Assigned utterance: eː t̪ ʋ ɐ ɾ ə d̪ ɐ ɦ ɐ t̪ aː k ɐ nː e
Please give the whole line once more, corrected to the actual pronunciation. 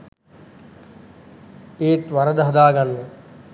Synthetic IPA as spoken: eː t̪ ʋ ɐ ɾ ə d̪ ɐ ɦ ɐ d̪ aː ɡ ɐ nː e